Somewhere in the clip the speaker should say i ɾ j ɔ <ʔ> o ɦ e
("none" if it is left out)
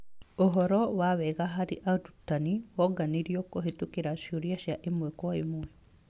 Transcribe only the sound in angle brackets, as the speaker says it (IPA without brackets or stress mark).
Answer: k